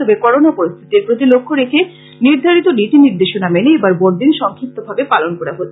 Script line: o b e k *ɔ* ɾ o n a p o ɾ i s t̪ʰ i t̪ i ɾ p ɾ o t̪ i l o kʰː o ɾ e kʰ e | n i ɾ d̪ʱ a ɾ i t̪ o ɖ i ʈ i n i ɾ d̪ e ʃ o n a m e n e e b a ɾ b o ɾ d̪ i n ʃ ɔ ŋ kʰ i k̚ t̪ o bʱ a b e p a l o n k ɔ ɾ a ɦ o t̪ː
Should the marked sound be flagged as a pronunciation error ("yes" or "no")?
no